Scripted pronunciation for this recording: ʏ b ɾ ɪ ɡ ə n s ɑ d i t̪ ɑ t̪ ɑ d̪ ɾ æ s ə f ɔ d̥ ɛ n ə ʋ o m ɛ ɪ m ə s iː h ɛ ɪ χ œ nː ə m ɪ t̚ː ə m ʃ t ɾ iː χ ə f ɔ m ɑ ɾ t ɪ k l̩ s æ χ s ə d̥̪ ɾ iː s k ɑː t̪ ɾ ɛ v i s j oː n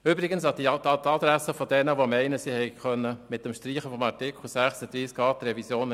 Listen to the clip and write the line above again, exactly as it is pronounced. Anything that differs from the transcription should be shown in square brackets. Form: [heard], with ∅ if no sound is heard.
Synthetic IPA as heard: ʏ b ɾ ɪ ɡ ə n s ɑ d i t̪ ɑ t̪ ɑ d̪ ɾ æ s ə f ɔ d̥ ɛ n ə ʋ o m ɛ ɪ [n] ə s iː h ɛ ɪ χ œ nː ə m ɪ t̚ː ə m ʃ t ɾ iː χ ə f ɔ m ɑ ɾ t ɪ k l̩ s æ χ s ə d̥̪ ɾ iː s k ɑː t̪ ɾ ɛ v i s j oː n

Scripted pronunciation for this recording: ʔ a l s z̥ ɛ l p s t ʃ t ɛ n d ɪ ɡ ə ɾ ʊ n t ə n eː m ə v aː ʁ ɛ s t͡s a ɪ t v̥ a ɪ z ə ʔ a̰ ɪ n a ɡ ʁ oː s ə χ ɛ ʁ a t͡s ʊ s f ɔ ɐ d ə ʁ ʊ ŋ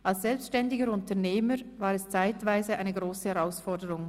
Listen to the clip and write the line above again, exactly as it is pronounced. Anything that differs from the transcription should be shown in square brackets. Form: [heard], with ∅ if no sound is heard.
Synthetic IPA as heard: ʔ a l s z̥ ɛ l p s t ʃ t ɛ n d ɪ ɡ ə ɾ ʊ n t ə n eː m ə v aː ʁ ɛ s t͡s a ɪ t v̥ a ɪ z ə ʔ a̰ ɪ n [ə] ɡ ʁ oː s ə [h] ɛ ʁ a [∅] ʊ s f ɔ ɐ d ə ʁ ʊ ŋ

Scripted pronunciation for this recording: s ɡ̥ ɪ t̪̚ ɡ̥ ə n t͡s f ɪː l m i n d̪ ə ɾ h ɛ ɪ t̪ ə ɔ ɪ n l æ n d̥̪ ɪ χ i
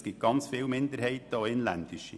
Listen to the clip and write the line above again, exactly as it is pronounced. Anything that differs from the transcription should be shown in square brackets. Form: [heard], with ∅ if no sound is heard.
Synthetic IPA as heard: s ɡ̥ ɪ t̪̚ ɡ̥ [ɑ] n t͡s f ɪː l m [ɪ] n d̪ ə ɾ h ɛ ɪ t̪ ə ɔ ɪ n l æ n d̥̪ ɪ [ʃ] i

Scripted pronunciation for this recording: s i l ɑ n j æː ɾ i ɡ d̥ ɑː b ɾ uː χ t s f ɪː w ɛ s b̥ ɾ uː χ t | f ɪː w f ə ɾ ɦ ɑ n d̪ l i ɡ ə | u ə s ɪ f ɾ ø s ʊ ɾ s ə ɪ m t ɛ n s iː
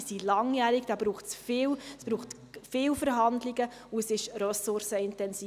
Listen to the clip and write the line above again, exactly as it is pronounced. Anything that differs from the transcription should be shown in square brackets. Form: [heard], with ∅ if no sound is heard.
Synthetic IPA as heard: s i l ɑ [ŋ] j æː ɾ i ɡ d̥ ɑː b ɾ uː χ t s f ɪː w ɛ s b̥ ɾ uː χ t | f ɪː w f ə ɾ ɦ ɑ n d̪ l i ɡ ə | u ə s ɪ [ʃ] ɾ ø s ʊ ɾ s ə ɪ [n] t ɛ n s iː

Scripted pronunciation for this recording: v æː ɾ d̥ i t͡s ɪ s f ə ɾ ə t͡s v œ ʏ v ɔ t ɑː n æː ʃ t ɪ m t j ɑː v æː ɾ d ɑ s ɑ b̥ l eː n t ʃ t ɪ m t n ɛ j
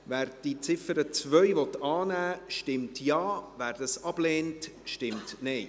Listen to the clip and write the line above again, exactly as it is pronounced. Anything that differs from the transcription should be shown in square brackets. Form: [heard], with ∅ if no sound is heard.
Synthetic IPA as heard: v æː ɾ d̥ i t͡s ɪ [∅] f ə ɾ ə t͡s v œ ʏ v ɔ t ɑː n æː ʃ t ɪ m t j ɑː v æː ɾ d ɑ s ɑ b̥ l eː n t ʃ t ɪ m t n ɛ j

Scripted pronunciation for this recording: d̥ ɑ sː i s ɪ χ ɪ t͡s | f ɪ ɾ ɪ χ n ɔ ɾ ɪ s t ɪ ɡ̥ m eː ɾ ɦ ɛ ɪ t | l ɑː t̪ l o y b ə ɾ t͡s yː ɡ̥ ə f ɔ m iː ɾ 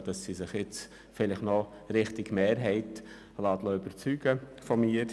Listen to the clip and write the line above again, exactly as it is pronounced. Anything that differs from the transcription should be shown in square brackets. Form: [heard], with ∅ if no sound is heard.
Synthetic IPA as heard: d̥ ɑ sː i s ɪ χ ɪ t͡s | f ɪ [l] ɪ χ n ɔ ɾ ɪ [χ] t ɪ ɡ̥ m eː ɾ ɦ ɛ ɪ t | l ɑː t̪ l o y b ə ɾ t͡s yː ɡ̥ ə f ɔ m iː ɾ

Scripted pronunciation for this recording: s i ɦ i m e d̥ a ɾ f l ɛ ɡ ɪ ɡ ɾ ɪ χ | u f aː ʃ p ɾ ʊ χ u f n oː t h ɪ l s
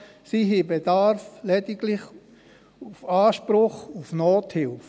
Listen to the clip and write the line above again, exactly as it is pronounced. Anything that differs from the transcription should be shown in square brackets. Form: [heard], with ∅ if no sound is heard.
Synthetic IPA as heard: s i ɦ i [b] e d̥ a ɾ f l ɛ [d] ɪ ɡ [l] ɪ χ | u f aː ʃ p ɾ ʊ χ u f n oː t h ɪ l [f]

